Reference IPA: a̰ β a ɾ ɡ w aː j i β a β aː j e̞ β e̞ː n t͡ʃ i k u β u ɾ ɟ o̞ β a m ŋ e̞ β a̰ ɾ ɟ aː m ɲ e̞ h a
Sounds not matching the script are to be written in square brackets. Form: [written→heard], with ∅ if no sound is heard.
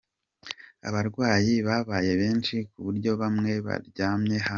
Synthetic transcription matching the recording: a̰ β a ɾ ɡ w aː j i β a β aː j e̞ β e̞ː n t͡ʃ i k u β u ɾ ɟ o̞ β a m ŋ e̞ β a̰ ɾ ɟ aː m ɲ e̞ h a